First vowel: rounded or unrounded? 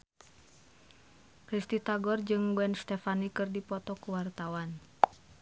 unrounded